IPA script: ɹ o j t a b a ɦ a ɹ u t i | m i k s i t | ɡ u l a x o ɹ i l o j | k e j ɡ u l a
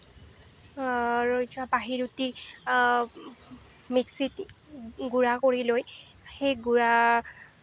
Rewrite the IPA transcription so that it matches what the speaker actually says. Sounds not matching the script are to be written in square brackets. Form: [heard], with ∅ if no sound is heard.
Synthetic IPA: ɹ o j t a b a ɦ [i] ɹ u t i | m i k s i t | ɡ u [ɹ] a [k] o ɹ i l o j | [x] e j ɡ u [ɹ] a

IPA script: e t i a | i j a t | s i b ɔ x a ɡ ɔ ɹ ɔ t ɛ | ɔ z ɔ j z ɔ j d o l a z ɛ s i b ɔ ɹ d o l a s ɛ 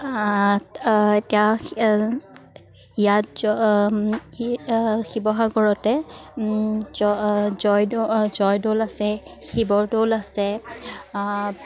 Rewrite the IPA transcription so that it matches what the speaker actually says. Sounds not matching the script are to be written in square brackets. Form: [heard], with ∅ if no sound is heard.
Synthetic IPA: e t i a | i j a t | [x] i b ɔ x a ɡ ɔ ɹ ɔ t ɛ | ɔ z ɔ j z ɔ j d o l a [s] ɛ [x] i b ɔ ɹ d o l a s ɛ

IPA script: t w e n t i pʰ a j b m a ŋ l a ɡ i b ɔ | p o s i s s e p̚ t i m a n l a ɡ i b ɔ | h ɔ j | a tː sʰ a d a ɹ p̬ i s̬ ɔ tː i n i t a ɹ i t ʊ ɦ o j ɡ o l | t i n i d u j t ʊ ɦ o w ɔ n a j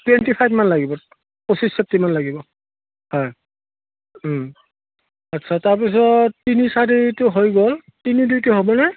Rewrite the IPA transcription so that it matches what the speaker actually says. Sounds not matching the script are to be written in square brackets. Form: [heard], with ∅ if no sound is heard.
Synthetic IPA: t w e n t i pʰ a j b m a [n] l a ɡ i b ɔ | p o s i s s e p̚ t i m a n l a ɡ i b ɔ | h ɔ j | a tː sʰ a [t] a ɹ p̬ i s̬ ɔ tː i n i [s] a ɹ i t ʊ ɦ o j ɡ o l | t i n i d u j t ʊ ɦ o [b] ɔ n a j

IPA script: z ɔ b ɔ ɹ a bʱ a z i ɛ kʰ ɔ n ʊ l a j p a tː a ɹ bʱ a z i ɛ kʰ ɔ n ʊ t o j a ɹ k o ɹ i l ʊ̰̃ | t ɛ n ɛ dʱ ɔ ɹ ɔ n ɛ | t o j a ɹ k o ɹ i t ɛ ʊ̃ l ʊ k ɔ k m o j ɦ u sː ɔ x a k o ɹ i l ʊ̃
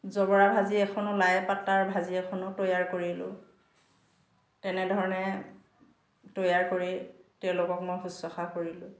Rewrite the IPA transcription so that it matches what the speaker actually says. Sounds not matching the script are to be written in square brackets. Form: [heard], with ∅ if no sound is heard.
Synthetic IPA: z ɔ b ɔ ɹ a bʱ a z i ɛ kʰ ɔ n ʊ l a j p a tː a ɹ bʱ a z i ɛ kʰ ɔ n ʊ t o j a ɹ k o ɹ i l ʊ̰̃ | t ɛ n ɛ dʱ ɔ ɹ ɔ n ɛ | t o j a ɹ k o ɹ i t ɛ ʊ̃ l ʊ k ɔ k m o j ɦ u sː ɔ x a k o ɹ i l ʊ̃

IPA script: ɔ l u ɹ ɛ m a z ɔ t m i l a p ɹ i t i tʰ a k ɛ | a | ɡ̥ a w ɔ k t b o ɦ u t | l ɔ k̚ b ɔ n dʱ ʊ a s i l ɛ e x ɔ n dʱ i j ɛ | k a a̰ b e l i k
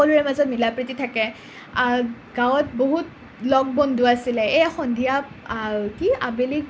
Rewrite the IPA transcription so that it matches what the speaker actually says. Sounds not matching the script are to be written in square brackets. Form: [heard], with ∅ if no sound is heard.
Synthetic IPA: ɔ l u ɹ ɛ m a z ɔ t m i l a p ɹ i t i tʰ a k ɛ | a | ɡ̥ a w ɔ [∅] t b o ɦ u t | l ɔ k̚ b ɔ n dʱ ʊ a s i l ɛ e x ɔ n dʱ i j [a] | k [i] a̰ b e l i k

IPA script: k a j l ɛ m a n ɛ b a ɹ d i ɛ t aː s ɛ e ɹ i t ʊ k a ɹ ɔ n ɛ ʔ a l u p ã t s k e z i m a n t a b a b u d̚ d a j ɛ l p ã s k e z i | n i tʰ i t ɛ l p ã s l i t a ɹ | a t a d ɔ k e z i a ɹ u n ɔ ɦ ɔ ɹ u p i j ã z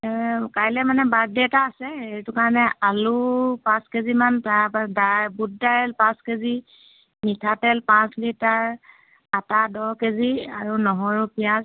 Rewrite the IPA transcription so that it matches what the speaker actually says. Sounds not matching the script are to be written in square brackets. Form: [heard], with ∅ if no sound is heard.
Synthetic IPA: k a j l ɛ m a n ɛ b a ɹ d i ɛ t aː s ɛ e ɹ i t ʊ k a ɹ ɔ n ɛ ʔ a l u p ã [∅] s k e z i m a n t a [d] a b u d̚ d a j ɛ l p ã s k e z i | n i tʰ [a] t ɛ l p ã s l i t a ɹ | a t a d ɔ k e z i a ɹ u n ɔ ɦ ɔ ɹ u p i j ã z

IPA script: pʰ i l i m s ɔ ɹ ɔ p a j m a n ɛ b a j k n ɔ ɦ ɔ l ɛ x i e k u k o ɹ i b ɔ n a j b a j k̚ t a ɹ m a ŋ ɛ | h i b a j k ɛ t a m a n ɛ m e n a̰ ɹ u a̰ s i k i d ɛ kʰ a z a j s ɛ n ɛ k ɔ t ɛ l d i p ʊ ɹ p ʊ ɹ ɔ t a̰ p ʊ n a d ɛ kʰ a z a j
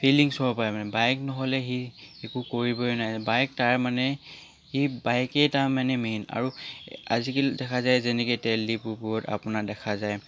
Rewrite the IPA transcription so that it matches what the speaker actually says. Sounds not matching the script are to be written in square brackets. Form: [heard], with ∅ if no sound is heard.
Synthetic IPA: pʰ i l i [ŋ] s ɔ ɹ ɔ p a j m a n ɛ b a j k n ɔ ɦ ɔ l ɛ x i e k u k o ɹ i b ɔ n a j b a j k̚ t a ɹ m a [n] ɛ | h i b a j k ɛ t a m a n ɛ m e n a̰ ɹ u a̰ [z] i k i d ɛ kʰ a z a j [z] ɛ n ɛ k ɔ t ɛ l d i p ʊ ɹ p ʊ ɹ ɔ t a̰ p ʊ n a d ɛ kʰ a z a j

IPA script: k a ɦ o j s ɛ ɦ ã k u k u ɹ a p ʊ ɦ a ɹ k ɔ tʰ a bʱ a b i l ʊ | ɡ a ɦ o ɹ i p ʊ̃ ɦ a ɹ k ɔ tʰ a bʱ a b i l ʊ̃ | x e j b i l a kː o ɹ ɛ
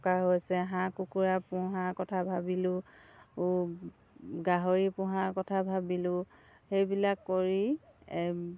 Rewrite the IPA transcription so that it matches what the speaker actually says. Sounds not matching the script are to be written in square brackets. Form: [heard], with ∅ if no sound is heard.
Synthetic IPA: k a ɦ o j s ɛ ɦ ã k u k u ɹ a p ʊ ɦ a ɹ k ɔ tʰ a bʱ a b i l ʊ | ɡ a ɦ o ɹ i p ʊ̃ ɦ a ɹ k ɔ tʰ a bʱ a b i l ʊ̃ | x e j b i l a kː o ɹ [i]

